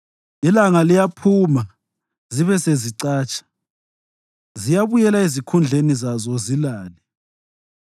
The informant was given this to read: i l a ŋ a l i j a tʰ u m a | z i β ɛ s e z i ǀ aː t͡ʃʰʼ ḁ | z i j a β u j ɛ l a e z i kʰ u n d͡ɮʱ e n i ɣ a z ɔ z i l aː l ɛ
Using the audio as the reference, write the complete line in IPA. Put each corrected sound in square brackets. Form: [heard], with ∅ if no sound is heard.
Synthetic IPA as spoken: i l a ŋ a l i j a [pʰ] u m a | z i β ɛ s e z i ǀ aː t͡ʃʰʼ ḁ | z i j a β u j ɛ l a e z i kʰ u n d͡ɮʱ e n i [z] a z ɔ z i l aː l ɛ